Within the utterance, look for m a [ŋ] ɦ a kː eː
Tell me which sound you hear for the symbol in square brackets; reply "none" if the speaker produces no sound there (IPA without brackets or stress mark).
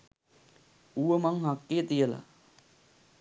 ŋ